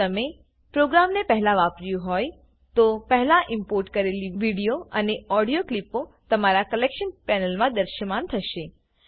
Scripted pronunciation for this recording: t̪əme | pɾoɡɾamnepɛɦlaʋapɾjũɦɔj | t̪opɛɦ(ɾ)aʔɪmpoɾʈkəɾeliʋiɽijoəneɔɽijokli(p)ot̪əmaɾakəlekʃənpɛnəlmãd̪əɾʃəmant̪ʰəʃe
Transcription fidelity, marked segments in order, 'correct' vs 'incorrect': incorrect, correct

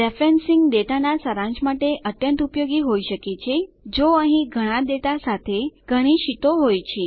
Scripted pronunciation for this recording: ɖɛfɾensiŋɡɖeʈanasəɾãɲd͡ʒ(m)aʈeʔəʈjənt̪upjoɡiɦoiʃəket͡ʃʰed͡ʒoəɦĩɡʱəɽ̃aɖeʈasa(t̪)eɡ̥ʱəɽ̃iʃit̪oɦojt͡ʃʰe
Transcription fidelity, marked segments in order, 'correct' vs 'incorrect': correct, incorrect

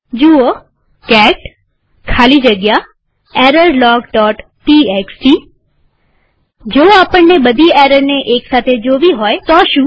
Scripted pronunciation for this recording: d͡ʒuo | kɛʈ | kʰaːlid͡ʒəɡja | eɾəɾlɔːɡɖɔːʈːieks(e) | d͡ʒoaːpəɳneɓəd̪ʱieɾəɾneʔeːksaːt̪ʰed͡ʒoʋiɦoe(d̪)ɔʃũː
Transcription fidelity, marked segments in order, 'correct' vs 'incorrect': incorrect, incorrect

